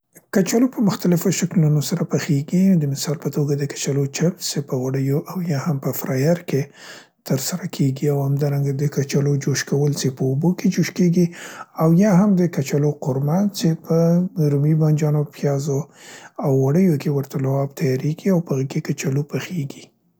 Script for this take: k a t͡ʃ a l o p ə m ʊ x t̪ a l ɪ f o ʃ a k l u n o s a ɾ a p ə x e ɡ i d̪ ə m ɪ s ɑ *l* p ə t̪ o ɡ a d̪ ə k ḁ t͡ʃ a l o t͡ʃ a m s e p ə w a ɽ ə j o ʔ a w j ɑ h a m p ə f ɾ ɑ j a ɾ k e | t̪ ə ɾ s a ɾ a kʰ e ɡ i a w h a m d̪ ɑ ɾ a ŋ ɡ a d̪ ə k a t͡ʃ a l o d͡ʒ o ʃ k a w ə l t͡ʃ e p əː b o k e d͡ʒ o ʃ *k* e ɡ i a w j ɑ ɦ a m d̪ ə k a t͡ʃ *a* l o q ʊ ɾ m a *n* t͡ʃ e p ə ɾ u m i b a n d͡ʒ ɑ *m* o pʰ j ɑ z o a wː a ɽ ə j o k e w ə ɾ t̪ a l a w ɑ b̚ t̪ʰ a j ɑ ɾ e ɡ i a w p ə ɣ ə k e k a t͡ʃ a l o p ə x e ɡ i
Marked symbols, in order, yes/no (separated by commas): yes, yes, yes, yes, no